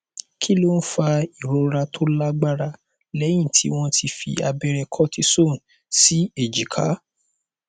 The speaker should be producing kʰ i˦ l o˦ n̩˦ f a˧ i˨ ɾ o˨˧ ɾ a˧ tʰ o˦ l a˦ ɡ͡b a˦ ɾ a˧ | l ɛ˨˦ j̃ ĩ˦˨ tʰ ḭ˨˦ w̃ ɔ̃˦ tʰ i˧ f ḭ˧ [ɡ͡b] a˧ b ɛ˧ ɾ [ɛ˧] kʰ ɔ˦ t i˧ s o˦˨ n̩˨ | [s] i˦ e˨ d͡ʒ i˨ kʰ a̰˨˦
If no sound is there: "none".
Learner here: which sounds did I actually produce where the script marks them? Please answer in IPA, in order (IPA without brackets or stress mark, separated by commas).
none, ɛ˧, s